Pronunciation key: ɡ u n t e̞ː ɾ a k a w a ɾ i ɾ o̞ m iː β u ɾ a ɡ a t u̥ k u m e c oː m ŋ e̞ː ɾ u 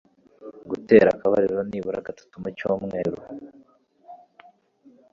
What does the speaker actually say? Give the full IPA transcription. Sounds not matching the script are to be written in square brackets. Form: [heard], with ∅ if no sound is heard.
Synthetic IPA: ɡ u [∅] t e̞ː ɾ a k a [β] a ɾ i ɾ o̞ [n] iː β u ɾ a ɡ a t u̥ [t] u m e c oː m ŋ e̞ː ɾ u